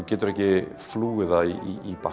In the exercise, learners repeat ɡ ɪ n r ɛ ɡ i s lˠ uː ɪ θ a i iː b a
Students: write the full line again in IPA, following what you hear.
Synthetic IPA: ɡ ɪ d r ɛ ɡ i f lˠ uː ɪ ð a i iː b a